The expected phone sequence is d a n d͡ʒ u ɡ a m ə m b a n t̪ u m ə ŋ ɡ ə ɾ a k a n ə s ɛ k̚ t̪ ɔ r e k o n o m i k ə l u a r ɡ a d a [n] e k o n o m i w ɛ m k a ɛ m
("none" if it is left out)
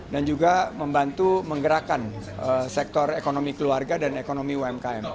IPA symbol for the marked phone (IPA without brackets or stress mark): n